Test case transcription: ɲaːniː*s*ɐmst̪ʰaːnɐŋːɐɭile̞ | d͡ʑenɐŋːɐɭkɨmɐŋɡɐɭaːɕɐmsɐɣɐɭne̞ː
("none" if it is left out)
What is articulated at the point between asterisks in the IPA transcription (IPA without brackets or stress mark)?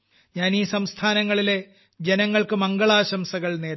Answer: s